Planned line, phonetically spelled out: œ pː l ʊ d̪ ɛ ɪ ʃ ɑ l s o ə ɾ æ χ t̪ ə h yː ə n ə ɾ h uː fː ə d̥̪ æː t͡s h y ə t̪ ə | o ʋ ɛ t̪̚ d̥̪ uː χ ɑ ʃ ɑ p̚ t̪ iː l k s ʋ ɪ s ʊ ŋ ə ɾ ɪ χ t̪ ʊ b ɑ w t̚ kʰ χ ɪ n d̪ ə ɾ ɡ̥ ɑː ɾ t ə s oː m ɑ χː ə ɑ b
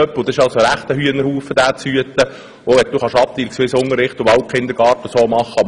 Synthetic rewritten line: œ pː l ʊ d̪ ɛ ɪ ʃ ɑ l s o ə ɾ æ χ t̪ ə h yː ə n ə ɾ h uː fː ə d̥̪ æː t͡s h y ə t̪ ə | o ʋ ɛ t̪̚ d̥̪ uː χ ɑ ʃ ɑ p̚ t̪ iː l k s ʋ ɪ s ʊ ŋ ə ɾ ɪ χ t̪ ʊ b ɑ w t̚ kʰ χ ɪ n d̪ ə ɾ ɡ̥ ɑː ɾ t ə s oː m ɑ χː ə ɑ b